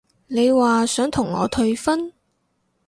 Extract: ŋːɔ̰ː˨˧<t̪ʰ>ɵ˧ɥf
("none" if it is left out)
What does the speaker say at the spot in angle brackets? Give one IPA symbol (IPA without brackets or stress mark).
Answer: t̪ʰ